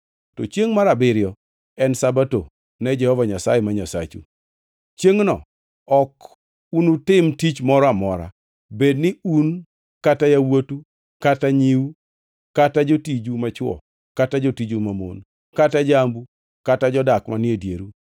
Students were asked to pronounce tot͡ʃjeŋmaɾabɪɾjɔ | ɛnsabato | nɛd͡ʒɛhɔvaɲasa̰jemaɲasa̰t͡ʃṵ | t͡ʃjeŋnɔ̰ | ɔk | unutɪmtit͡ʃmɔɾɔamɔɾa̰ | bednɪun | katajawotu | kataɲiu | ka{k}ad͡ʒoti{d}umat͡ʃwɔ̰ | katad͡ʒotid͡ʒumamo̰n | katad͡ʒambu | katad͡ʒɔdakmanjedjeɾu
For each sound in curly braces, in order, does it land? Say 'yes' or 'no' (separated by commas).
no, no